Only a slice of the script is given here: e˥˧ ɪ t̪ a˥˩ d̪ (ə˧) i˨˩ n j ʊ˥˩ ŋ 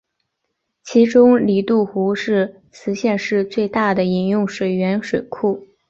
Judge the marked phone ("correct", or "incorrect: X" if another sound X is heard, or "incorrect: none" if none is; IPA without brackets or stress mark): incorrect: ə˩